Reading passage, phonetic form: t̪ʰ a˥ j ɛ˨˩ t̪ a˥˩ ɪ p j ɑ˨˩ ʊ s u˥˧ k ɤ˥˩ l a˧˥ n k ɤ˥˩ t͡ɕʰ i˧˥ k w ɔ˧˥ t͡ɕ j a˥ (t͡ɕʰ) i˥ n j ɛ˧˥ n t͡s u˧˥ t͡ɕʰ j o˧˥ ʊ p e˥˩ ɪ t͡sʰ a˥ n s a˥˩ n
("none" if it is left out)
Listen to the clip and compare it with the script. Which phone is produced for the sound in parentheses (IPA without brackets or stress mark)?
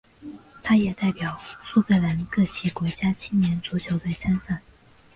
t͡ɕʰ